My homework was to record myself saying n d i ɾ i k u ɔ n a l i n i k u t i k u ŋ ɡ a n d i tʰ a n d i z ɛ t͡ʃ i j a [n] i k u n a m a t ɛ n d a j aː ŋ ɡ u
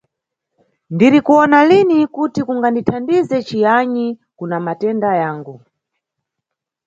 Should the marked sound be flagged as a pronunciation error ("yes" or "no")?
yes